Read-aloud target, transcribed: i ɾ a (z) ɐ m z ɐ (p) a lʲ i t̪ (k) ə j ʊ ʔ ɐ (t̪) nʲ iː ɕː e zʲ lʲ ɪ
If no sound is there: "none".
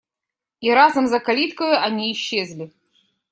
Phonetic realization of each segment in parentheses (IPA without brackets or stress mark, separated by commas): z, k, k, none